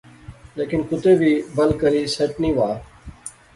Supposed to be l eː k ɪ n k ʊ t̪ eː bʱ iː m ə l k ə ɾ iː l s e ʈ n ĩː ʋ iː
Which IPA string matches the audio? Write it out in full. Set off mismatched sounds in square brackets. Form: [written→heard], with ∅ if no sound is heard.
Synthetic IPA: l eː k ɪ n k ʊ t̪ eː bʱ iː [m→b] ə l k ə ɾ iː [l→∅] s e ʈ n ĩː ʋ [iː→aː]